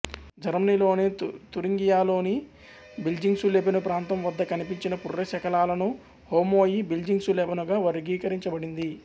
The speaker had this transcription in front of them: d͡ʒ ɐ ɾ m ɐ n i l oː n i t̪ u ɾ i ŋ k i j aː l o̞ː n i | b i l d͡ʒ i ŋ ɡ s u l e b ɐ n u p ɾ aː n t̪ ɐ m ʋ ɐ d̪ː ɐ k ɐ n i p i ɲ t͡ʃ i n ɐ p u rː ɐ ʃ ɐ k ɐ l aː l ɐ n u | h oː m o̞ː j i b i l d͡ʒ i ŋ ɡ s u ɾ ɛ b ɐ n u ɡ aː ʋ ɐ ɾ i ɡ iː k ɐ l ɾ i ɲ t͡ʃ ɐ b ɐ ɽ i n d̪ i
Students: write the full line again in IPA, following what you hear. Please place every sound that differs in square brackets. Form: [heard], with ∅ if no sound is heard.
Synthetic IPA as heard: d͡ʒ ɐ ɾ m ɐ n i l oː n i t̪ u ɾ i ŋ [ɡ] i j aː l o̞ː n i | b i l d͡ʒ i ŋ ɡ s u l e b ɐ n u p ɾ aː n t̪ ɐ m ʋ ɐ d̪ː ɐ k ɐ n i p i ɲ t͡ʃ i n ɐ p u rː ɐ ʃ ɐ k ɐ l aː l ɐ n u | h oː m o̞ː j i b i l d͡ʒ i ŋ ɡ s u [l] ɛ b ɐ n u ɡ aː ʋ ɐ ɾ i ɡ iː k ɐ [∅] ɾ i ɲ t͡ʃ ɐ b ɐ ɽ i n d̪ i